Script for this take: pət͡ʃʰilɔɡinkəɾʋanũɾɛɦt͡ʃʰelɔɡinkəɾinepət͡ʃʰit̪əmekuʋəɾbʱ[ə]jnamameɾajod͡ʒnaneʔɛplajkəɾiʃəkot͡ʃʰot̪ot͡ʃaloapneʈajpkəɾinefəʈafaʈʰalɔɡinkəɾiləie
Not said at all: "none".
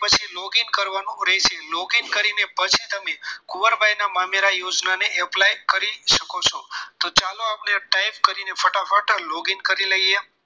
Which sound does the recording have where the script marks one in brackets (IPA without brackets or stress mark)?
a